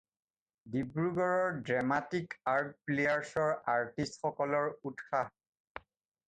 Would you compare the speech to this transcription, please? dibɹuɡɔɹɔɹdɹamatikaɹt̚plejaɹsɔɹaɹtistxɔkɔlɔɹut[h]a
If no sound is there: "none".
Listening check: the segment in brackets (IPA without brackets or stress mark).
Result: x